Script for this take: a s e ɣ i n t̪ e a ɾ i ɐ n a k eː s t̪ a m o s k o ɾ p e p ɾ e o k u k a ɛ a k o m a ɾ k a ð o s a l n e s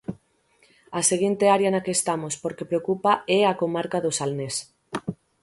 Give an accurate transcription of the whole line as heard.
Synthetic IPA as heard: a s e ɣ i n t̪ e a ɾ j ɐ n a k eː s t̪ a m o s p o ɾ k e p ɾ e o k u p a ɛ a k o m a ɾ k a ð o s a l n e s